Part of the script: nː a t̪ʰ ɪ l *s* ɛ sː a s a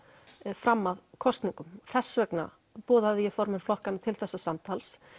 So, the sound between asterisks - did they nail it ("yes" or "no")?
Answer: no